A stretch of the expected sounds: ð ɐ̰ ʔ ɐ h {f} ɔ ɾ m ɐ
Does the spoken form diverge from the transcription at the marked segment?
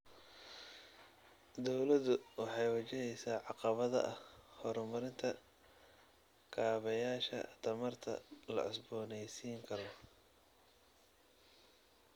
yes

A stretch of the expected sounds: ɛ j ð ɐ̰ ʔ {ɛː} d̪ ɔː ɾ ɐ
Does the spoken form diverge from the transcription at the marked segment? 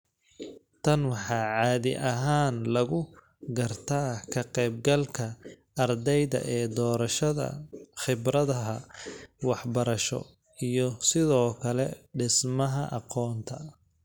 no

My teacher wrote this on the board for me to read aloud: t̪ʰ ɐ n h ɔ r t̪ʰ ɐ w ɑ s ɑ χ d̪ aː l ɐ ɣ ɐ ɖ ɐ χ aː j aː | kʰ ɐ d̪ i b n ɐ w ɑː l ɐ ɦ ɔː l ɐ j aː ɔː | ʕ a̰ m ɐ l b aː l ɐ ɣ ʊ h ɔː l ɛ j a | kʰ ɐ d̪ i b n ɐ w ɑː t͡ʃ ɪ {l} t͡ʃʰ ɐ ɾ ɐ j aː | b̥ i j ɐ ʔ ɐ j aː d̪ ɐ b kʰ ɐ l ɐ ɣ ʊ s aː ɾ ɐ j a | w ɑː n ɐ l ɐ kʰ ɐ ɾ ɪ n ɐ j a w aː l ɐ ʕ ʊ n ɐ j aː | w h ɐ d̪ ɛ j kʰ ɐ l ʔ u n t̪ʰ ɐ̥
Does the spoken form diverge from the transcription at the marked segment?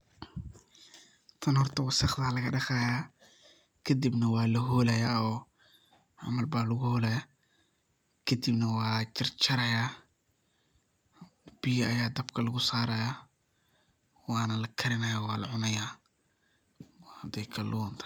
yes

